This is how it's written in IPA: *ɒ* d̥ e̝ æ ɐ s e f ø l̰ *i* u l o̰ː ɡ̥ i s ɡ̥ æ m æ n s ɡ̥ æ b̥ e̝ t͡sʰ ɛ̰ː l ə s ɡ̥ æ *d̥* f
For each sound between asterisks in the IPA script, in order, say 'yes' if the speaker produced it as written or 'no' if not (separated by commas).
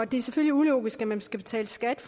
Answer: yes, yes, yes